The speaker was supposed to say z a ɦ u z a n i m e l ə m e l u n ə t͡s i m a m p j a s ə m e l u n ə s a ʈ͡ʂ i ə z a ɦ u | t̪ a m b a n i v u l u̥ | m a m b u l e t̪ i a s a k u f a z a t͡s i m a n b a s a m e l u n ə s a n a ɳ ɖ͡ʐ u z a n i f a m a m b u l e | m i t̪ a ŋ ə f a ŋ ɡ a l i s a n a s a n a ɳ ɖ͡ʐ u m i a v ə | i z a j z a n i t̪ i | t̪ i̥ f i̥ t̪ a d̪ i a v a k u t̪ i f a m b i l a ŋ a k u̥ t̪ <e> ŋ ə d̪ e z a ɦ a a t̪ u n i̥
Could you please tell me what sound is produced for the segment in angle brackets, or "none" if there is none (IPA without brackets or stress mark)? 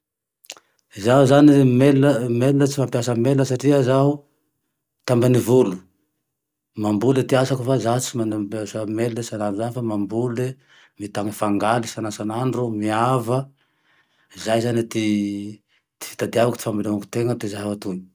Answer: e